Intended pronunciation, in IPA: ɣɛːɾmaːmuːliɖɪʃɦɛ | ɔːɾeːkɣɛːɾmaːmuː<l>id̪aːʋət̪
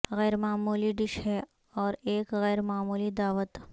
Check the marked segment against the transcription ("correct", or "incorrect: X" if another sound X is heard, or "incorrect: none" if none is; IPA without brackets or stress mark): correct